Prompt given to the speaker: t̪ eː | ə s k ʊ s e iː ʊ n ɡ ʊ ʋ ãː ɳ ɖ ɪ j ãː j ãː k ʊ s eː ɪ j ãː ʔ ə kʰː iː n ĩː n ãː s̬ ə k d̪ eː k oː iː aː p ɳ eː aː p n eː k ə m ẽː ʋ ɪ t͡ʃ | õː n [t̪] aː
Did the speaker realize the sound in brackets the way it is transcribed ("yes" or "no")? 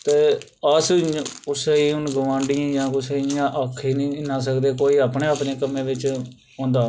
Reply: no